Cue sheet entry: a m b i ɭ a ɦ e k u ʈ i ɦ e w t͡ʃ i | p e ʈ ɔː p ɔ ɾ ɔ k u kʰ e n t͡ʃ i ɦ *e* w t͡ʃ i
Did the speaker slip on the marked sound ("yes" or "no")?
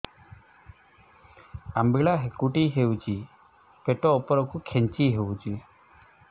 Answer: no